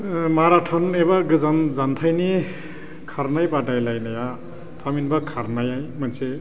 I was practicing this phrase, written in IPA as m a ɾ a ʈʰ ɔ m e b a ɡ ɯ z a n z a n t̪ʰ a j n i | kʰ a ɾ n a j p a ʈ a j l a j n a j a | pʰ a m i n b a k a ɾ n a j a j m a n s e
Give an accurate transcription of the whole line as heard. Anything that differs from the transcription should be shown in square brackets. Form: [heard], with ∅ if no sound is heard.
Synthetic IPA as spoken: m a ɾ a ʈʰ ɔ [n] e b a ɡ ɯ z a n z a n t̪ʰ a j n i | kʰ a ɾ n a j p a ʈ a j l a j n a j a | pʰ a m i n b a [kʰ] a ɾ n a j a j m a n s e